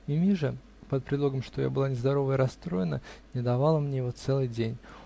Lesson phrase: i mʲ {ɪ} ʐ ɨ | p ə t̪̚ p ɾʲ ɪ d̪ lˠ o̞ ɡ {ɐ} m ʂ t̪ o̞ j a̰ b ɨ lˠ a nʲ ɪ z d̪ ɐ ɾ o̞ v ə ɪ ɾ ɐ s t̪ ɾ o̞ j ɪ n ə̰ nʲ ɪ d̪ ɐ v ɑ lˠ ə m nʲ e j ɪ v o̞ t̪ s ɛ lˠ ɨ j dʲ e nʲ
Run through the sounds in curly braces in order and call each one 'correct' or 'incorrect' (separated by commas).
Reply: incorrect, incorrect